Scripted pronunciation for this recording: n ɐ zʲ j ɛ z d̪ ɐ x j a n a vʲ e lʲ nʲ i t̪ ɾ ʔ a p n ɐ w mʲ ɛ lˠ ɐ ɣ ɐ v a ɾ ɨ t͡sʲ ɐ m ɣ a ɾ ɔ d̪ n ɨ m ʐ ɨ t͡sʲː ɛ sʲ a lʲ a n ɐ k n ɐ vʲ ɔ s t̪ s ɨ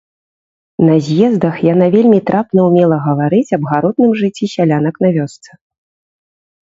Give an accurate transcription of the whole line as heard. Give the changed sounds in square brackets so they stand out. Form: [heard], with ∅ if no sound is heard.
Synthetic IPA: n ɐ zʲ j ɛ z d̪ ɐ x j a n a vʲ e lʲ [mʲ] i t̪ ɾ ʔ a p n ɐ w mʲ ɛ lˠ ɐ ɣ ɐ v a ɾ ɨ t͡sʲ ɐ [b] ɣ a ɾ ɔ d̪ n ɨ m ʐ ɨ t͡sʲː [i] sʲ a lʲ a n ɐ k n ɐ vʲ ɔ s t̪ s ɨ